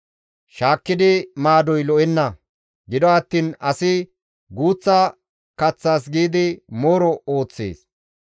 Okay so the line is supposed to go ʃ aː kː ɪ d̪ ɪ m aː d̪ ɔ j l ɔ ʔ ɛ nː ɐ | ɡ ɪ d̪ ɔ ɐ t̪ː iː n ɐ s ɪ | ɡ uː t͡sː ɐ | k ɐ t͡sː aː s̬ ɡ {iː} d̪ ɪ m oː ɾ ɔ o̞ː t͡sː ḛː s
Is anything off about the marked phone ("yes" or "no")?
no